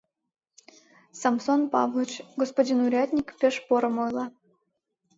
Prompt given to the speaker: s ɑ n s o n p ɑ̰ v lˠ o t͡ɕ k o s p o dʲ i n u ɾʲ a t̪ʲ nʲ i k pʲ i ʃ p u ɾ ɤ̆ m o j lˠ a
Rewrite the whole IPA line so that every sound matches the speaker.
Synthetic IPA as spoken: s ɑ m s o n p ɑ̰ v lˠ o t͡ɕ ɡ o s p o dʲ i n u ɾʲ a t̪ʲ nʲ i k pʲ e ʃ p o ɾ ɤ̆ m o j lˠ ɑ